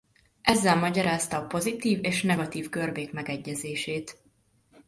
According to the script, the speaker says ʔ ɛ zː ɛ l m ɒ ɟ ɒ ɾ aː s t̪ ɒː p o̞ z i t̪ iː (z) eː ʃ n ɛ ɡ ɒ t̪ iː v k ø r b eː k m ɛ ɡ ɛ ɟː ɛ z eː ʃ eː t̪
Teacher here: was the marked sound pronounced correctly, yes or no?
no